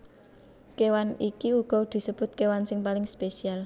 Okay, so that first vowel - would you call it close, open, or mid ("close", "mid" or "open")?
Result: mid